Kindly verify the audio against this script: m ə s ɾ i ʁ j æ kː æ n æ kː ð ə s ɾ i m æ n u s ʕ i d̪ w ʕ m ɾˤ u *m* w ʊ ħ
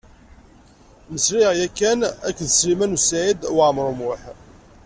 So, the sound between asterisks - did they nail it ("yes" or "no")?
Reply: yes